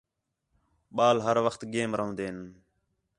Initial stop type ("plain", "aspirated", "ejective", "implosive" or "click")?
implosive